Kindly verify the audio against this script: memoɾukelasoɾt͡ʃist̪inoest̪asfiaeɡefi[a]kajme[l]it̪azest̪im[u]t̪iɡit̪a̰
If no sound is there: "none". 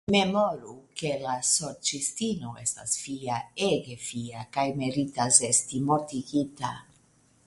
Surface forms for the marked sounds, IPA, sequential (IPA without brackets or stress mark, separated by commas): a, ɾ, o